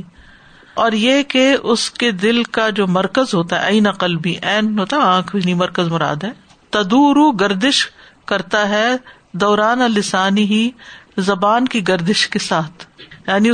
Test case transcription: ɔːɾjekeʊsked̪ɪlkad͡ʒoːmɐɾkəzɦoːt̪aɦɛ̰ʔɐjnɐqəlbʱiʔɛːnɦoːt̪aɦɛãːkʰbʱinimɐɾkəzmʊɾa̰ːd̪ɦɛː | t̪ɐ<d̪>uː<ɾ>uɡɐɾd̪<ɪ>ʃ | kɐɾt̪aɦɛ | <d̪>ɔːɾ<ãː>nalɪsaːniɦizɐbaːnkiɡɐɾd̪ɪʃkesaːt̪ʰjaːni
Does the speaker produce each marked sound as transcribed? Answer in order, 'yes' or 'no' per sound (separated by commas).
yes, yes, yes, yes, no